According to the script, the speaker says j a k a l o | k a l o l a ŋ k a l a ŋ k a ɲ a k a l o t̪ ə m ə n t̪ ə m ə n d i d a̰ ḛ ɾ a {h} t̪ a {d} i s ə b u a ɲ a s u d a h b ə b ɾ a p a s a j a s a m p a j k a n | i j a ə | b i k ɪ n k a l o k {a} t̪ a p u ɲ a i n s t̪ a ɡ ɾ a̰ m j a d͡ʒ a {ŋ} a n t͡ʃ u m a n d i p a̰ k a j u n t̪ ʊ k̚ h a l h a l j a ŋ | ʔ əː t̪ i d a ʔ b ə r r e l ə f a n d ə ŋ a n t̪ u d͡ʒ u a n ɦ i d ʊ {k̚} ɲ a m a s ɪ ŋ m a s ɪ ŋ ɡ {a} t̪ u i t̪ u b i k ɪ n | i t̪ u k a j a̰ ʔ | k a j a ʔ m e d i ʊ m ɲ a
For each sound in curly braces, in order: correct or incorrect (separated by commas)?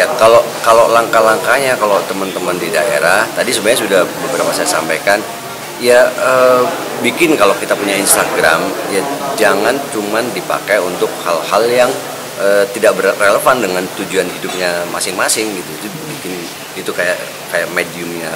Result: correct, correct, incorrect, correct, incorrect, incorrect